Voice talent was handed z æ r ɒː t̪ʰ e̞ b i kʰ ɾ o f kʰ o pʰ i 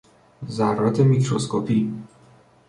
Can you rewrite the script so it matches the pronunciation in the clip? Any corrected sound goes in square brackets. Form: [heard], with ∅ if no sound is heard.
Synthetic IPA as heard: z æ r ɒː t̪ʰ e̞ [m] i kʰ ɾ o [s] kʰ o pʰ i